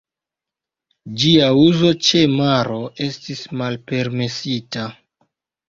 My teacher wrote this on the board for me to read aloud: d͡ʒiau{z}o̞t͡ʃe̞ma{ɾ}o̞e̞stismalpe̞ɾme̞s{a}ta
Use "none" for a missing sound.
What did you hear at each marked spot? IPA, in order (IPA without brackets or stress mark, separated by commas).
z, ɾ, i